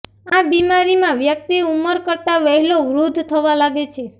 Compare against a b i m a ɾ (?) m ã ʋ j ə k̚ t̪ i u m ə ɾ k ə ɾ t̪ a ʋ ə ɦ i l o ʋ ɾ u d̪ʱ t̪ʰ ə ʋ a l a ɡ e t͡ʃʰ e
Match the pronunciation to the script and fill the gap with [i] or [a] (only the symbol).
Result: i